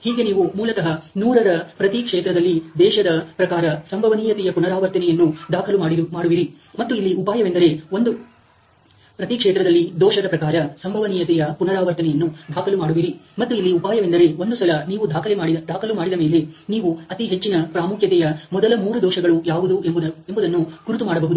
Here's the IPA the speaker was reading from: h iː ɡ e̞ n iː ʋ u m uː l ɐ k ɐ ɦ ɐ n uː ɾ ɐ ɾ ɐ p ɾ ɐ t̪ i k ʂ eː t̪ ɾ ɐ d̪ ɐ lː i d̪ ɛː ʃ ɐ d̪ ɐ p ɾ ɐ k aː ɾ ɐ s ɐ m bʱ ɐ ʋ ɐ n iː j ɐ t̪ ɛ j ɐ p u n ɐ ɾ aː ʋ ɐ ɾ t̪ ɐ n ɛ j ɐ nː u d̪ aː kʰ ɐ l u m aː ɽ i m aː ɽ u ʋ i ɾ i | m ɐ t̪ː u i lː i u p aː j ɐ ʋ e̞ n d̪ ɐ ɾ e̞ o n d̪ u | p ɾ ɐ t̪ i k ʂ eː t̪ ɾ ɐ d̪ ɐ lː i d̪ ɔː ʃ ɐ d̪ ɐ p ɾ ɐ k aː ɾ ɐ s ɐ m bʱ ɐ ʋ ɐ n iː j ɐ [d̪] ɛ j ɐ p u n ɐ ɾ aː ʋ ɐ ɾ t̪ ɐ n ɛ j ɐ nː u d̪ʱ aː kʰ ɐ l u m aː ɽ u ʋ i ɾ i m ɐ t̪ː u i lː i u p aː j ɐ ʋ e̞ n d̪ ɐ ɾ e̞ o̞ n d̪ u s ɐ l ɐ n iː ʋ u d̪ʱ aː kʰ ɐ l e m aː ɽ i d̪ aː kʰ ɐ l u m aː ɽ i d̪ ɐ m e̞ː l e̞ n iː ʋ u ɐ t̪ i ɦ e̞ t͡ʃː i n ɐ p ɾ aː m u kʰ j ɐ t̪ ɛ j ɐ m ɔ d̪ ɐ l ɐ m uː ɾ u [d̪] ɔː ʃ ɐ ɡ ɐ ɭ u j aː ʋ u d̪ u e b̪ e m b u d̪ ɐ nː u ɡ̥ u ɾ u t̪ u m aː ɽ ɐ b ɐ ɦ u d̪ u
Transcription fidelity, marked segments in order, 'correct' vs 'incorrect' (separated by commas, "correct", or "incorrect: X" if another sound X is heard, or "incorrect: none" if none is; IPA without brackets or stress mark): incorrect: t̪, correct